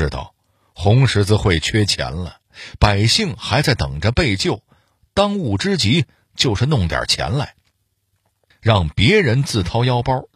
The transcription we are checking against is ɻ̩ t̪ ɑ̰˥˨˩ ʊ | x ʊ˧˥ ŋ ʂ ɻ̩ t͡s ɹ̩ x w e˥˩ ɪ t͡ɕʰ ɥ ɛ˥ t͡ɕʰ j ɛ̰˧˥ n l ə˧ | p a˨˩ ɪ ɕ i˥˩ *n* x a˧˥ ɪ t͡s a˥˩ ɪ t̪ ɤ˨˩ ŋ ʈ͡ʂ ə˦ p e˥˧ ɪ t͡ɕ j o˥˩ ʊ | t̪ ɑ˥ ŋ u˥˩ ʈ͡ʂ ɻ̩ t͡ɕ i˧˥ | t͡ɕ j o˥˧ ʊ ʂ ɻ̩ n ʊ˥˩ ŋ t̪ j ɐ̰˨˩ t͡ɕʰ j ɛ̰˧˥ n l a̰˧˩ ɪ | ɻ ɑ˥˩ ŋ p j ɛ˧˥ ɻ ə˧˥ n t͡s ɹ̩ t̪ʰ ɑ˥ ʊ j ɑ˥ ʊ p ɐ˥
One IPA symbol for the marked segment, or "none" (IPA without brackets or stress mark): ŋ